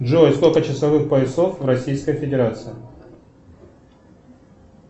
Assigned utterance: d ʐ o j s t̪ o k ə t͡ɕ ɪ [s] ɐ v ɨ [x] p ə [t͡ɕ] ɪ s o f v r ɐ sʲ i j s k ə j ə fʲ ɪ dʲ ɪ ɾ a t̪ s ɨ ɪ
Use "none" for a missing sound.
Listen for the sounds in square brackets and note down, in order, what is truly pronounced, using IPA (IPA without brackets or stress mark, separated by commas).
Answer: s, x, none